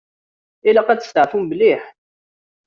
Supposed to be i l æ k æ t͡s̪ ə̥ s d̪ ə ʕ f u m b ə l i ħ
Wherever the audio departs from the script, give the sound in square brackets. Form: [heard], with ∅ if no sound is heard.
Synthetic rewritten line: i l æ [q] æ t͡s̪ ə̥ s [t̪] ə ʕ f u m b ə l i ħ